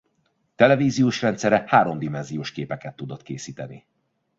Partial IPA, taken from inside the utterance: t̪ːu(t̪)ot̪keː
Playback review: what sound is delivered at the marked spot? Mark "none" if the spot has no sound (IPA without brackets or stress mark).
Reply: d̪